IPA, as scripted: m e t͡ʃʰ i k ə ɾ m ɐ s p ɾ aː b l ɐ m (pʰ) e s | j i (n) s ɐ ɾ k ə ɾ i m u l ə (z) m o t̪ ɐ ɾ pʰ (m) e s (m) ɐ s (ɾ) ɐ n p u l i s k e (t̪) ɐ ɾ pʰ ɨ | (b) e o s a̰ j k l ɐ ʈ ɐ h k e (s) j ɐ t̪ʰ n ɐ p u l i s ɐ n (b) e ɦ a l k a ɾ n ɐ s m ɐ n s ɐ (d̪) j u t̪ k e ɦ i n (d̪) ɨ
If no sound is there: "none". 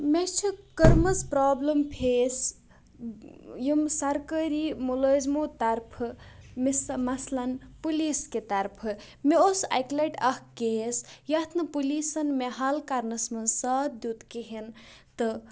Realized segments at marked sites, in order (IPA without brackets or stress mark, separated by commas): pʰ, m, z, m, m, l, t̪, m, s, m, d̪, t̪